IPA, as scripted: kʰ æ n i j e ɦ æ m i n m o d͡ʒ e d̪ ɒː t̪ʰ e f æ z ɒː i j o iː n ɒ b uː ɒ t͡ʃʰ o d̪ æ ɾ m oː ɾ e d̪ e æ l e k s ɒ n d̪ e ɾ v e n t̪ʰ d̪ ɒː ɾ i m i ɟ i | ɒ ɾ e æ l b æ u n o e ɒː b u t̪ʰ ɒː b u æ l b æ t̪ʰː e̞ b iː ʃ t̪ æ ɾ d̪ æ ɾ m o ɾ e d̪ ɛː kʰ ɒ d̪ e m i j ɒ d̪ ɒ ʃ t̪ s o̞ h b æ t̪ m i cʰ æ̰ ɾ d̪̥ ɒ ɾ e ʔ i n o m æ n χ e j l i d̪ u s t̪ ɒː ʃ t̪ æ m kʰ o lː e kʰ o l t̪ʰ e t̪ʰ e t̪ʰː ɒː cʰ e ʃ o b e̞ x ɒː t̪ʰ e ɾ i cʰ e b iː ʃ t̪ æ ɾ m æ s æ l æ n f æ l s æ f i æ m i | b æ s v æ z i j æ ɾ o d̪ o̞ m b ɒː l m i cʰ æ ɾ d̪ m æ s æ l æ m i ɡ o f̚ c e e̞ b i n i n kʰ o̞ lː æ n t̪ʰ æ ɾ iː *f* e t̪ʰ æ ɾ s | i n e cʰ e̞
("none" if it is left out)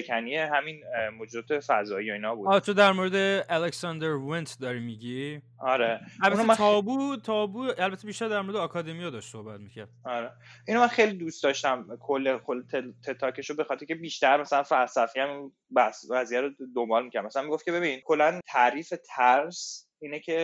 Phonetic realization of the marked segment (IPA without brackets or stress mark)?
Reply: f